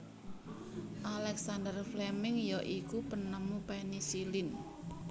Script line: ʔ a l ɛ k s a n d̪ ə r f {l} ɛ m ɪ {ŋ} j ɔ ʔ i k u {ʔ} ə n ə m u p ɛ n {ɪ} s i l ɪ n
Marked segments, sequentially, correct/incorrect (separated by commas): correct, correct, incorrect, incorrect